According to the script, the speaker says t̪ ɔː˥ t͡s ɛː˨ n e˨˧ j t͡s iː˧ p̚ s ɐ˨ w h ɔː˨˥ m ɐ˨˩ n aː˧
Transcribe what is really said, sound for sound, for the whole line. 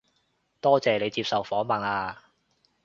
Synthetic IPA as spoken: t̪ ɔː˥ t͡s ɛː˨ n e˨˧ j t͡s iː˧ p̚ s ɐ˨ w f ɔː˨˥ m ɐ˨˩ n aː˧